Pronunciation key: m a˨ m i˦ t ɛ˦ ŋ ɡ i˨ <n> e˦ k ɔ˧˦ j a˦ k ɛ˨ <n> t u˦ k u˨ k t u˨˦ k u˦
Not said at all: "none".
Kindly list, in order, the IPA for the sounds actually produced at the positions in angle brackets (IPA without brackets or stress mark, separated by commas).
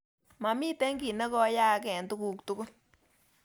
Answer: n, n